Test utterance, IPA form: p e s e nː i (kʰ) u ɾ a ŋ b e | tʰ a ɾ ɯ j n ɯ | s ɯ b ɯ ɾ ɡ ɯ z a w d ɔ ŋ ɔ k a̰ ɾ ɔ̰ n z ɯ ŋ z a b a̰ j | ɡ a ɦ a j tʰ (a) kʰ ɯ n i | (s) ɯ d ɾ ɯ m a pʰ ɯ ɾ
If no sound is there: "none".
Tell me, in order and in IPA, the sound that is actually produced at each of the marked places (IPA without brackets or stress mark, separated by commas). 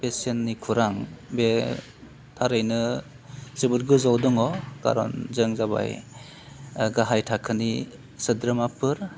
kʰ, a, s